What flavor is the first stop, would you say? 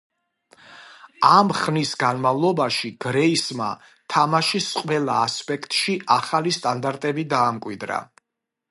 plain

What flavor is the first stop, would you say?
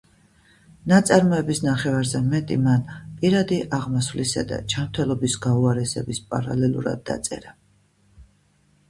plain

